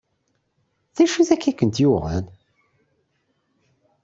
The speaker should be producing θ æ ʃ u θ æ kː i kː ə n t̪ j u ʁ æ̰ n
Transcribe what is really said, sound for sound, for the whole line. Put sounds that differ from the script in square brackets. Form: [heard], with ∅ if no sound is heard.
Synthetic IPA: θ æ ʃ u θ æ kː [æ] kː ə n t̪ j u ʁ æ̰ n